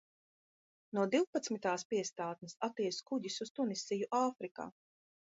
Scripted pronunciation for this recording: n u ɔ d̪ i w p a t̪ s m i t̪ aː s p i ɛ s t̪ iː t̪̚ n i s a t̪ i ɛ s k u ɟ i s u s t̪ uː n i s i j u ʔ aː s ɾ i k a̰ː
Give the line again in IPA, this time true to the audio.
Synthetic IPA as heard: n u ɔ d̪ i w p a t̪ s m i t̪ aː s p i ɛ s t̪ aː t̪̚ n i s a t̪ i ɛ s k u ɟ i s u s t̪ u n i s i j u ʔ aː f ɾ i k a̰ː